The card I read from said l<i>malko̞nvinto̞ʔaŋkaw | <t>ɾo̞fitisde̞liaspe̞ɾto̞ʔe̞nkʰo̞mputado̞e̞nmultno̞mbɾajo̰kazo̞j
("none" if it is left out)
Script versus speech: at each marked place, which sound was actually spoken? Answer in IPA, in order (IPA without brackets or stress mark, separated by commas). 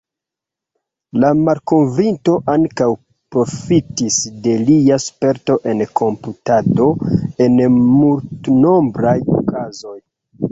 a, p